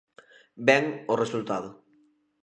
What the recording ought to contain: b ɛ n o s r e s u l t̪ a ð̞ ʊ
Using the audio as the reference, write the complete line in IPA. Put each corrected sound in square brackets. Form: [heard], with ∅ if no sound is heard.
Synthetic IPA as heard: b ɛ [ŋ] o [∅] r e s u l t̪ a ð̞ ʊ